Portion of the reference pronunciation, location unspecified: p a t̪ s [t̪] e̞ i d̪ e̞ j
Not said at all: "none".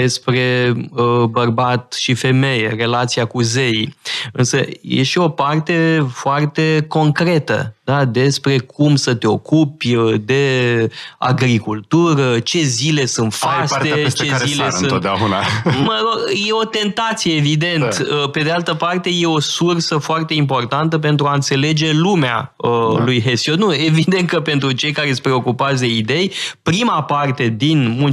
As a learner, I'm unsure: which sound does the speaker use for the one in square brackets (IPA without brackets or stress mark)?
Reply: d̪